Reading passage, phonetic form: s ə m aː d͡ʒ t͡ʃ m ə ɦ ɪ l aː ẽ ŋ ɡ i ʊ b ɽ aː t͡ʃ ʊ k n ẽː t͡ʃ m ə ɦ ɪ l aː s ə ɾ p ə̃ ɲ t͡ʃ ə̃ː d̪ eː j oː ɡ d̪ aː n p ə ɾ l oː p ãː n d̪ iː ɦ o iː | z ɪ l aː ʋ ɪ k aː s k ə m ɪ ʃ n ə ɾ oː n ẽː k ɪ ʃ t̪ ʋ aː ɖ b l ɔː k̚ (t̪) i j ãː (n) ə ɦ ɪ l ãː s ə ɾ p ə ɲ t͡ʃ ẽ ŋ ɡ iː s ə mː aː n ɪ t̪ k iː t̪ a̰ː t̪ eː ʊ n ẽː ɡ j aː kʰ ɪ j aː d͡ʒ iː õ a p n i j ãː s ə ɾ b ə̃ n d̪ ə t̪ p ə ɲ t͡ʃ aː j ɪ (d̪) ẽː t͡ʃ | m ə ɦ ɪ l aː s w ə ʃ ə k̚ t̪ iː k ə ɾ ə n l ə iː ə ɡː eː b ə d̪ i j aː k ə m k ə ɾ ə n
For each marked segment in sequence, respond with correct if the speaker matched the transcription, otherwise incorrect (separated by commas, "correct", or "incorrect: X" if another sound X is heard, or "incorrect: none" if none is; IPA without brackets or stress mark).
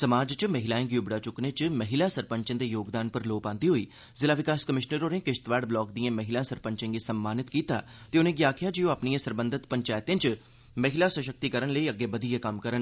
incorrect: d̪, incorrect: m, incorrect: t̪